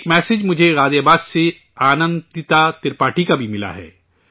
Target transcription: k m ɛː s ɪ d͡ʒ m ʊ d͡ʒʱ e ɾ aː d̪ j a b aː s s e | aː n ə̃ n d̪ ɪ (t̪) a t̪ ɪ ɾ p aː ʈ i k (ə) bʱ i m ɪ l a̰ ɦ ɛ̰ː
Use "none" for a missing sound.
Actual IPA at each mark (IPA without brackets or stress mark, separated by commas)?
t̪, a